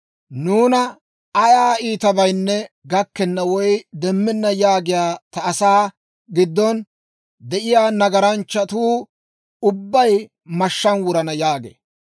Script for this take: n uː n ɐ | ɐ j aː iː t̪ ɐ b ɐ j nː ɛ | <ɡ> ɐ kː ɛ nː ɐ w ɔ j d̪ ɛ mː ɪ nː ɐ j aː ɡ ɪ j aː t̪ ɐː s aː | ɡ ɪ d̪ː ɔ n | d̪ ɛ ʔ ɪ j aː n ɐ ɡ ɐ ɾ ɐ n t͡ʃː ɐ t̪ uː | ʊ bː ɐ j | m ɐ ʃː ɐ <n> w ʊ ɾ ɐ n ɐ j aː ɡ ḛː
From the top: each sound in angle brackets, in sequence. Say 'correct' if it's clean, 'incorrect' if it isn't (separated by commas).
correct, correct